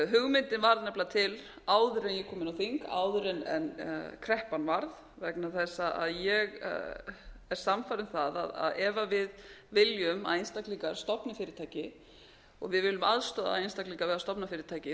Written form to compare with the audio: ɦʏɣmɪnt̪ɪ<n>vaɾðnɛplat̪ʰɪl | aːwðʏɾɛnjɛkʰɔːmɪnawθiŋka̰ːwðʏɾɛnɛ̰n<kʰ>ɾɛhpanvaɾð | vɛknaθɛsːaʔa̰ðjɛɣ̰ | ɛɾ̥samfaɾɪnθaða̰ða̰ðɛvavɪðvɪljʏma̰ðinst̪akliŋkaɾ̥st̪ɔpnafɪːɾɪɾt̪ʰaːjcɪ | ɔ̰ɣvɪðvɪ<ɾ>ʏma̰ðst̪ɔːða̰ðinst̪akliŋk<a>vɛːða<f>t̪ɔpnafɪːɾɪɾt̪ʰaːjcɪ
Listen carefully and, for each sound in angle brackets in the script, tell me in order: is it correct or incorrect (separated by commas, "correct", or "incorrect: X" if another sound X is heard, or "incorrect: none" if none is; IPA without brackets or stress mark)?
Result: correct, correct, incorrect: l, correct, incorrect: s